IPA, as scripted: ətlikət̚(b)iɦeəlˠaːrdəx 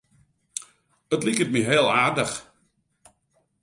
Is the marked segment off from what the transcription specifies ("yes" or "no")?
yes